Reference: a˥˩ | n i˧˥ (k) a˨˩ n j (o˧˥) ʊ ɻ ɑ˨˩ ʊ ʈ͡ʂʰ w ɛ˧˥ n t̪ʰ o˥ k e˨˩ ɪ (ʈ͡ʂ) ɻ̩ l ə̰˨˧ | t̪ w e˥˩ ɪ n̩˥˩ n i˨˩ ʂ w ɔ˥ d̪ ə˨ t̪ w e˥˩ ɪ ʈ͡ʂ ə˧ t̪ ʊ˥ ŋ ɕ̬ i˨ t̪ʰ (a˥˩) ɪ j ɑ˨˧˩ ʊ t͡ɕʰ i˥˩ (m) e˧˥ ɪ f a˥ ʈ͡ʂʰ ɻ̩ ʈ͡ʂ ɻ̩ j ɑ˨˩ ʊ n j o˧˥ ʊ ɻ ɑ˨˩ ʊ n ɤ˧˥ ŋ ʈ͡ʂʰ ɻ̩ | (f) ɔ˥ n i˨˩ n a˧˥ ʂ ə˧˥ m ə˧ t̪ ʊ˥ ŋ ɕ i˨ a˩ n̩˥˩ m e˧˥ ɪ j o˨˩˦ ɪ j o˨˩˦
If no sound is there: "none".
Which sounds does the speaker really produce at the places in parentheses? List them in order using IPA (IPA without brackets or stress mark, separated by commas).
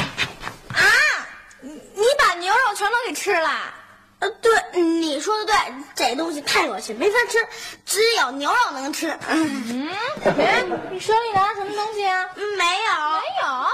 p, o˧˥, ʈ͡ʂʰ, a˥˩, m, ʂ